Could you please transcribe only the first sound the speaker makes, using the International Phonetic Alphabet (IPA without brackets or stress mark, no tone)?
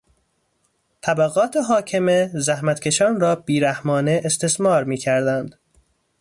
t̪ʰ